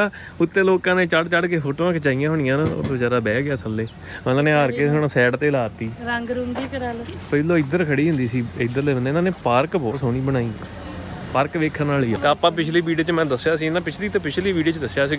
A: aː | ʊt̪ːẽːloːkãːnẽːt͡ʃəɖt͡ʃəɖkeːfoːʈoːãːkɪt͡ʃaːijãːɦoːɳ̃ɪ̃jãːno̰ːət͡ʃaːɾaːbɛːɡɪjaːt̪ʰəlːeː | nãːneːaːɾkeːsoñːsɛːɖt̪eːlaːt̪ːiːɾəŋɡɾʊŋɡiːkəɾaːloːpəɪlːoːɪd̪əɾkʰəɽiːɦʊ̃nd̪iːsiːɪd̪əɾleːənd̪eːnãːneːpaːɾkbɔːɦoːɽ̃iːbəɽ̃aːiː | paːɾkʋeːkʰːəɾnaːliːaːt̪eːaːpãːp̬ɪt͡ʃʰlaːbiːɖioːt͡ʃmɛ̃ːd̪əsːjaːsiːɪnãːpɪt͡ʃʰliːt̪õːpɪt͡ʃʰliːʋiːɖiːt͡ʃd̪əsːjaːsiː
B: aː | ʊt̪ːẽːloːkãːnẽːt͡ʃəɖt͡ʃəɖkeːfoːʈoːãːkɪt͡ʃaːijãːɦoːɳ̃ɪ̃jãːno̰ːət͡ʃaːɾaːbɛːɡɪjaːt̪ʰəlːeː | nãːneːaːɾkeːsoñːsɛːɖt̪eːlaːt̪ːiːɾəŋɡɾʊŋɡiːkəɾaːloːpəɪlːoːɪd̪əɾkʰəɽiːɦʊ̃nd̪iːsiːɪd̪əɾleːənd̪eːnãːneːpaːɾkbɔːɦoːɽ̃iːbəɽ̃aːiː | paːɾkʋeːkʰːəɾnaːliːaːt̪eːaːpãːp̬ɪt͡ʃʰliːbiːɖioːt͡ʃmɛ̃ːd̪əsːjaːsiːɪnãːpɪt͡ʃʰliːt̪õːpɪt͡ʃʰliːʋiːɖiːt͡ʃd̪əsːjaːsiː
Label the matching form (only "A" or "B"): B